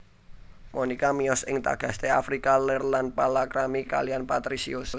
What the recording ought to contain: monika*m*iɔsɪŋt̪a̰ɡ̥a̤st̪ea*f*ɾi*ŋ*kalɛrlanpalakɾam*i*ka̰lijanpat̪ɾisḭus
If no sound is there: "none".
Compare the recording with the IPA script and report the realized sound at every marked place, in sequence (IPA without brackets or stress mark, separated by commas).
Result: m, f, none, i